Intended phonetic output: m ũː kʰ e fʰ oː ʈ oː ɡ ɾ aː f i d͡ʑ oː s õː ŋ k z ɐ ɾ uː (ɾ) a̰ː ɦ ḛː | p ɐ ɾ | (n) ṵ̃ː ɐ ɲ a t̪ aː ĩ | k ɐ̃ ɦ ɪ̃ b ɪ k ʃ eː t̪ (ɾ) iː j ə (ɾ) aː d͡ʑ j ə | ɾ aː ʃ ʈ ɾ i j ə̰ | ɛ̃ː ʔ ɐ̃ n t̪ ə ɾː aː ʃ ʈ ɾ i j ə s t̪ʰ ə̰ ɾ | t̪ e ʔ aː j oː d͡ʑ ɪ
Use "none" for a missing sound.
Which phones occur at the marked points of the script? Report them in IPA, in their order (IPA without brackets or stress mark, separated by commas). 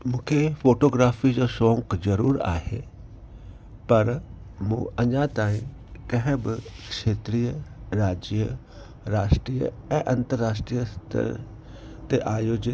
ɾ, m, ɾ, ɾ